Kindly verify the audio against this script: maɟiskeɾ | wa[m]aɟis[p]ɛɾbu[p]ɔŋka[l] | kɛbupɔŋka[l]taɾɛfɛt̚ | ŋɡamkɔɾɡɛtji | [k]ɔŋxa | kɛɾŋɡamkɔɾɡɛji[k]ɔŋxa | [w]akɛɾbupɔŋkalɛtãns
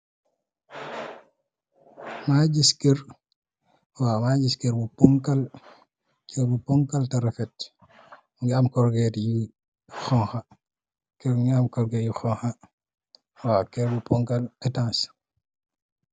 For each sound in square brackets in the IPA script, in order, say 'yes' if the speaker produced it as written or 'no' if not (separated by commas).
yes, no, yes, yes, yes, no, no, yes